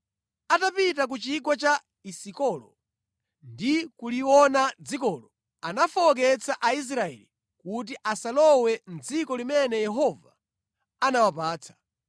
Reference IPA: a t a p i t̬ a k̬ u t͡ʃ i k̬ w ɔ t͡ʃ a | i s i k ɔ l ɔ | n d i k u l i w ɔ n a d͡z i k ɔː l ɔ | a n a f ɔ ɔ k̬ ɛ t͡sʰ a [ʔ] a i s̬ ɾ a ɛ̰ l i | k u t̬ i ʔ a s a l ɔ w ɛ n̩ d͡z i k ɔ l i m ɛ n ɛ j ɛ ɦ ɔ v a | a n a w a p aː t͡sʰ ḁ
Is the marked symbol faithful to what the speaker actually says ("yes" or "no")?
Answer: yes